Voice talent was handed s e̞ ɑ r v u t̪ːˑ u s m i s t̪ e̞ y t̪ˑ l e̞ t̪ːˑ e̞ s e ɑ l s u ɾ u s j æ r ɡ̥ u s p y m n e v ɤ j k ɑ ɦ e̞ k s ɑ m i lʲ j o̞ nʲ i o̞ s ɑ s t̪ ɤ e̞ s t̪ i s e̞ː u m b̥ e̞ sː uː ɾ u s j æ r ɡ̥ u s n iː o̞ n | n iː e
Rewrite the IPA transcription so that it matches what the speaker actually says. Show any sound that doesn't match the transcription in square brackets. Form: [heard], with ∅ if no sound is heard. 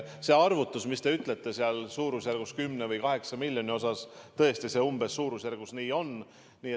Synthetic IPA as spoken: s e̞ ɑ r v u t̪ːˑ u s m i s t̪ e̞ y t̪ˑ l e̞ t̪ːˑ e̞ s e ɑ l s [uː] ɾ u s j æ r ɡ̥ u s [k] y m n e v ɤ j k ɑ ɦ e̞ k s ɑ m i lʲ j o̞ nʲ i o̞ s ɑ s t̪ ɤ e̞ s t̪ i s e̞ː u m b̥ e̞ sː uː ɾ u s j æ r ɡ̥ u s n iː o̞ n | n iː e